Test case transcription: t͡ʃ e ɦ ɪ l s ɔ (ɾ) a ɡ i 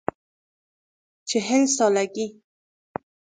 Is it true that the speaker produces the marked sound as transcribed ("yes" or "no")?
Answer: no